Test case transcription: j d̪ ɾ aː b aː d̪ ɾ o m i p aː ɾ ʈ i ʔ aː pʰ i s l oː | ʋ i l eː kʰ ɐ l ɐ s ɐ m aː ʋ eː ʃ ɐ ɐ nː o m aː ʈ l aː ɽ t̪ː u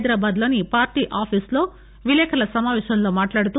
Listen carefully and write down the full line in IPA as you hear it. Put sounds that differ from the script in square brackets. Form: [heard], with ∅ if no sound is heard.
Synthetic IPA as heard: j d̪ ɾ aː b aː d̪ [l] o [n] i p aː ɾ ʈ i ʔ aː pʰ i s l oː | ʋ i l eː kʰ ɐ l ɐ s ɐ m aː ʋ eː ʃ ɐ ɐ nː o m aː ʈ l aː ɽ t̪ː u